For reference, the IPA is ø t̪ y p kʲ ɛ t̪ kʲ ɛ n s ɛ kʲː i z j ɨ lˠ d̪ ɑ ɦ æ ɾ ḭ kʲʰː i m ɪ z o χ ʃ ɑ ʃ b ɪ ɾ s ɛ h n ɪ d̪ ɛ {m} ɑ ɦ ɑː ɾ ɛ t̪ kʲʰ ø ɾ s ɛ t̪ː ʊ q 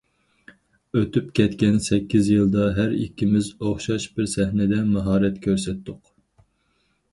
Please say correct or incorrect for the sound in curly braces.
correct